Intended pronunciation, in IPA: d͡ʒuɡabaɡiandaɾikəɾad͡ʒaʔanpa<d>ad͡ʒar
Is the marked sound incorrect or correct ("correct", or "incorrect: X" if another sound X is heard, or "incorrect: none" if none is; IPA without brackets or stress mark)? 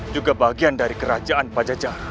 incorrect: d͡ʒ